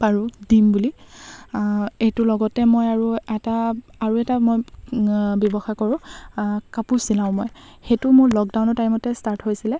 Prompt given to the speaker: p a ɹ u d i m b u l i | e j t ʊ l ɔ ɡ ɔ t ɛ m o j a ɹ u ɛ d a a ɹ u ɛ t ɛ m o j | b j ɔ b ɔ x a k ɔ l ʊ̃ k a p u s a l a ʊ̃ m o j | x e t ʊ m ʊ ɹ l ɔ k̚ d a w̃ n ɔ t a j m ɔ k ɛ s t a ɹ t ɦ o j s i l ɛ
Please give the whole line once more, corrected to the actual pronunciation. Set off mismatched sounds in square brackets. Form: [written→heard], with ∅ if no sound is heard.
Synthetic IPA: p a ɹ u d i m b u l i | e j t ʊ l ɔ ɡ ɔ t ɛ m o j a ɹ u ɛ [d→t] a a ɹ u ɛ t [ɛ→a] m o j | b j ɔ b ɔ x a k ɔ [l→ɹ] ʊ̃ k a p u s [a→i] l a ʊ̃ m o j | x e t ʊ m ʊ ɹ l ɔ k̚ d a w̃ n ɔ t a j m ɔ [k→t] ɛ s t a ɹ t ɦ o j s i l ɛ